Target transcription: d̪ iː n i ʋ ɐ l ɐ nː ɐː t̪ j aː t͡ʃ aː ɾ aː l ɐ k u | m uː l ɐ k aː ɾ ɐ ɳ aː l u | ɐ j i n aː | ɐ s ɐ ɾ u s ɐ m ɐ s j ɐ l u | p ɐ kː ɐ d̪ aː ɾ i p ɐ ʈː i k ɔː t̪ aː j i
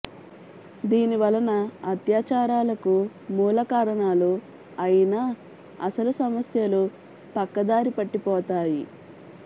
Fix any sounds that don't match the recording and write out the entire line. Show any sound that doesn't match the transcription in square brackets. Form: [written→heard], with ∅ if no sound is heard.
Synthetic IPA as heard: d̪ iː n i ʋ ɐ l ɐ [nː→n] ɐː t̪ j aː t͡ʃ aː ɾ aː l ɐ k u | m uː l ɐ k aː ɾ ɐ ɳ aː l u | ɐ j i n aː | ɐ s ɐ [ɾ→l] u s ɐ m ɐ s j ɐ l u | p ɐ kː ɐ d̪ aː ɾ i p ɐ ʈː i [k→p] ɔː t̪ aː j i